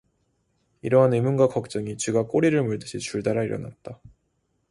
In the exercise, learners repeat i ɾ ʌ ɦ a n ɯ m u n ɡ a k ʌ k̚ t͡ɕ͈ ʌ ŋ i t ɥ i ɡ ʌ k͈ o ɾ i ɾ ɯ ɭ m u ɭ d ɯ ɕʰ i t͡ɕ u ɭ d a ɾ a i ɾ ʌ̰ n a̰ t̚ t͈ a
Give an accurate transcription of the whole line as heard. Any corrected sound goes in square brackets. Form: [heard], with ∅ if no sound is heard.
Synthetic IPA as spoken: i ɾ ʌ ɦ a n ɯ m u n ɡ a k ʌ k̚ t͡ɕ͈ ʌ ŋ i [t͡ɕ] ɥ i ɡ [a] k͈ o ɾ i ɾ ɯ ɭ m u ɭ d ɯ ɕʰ i t͡ɕ u ɭ d a ɾ a i ɾ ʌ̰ n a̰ t̚ t͈ a